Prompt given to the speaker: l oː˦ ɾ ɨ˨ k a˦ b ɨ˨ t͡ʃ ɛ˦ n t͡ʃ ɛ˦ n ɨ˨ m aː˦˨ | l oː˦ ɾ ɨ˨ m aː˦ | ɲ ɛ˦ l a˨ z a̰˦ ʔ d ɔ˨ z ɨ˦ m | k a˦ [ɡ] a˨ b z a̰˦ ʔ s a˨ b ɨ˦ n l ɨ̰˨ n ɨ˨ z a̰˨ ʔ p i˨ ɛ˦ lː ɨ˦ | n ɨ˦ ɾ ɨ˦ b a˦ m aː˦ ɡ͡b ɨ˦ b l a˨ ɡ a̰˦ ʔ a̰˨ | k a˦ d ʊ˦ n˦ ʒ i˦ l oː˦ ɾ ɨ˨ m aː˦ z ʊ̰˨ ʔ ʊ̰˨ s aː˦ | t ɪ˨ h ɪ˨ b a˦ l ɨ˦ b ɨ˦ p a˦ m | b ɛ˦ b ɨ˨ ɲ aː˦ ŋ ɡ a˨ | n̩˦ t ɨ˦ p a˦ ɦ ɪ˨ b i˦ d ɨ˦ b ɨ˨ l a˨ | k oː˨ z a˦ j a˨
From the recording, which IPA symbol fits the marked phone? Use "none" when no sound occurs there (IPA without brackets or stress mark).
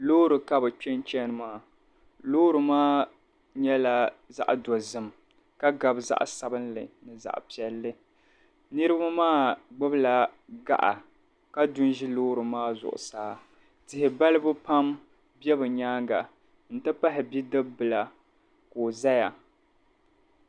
ɡ